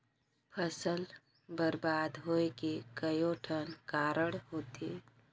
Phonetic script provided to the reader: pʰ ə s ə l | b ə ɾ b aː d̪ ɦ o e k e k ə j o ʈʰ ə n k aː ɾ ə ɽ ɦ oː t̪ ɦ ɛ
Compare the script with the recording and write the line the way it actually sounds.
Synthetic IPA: pʰ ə s ə l | b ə ɾ b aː d̪ ɦ o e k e k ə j o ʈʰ ə n k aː ɾ ə ɽ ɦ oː t̪ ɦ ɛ